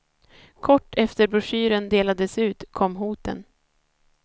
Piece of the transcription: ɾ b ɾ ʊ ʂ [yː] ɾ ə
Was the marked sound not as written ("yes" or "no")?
no